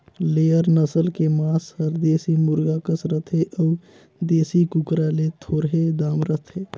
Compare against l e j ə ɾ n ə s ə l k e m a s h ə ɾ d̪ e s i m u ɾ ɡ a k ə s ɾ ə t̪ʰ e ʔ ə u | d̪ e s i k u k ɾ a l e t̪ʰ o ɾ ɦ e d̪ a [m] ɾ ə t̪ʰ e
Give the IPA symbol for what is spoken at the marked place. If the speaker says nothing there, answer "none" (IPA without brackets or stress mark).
m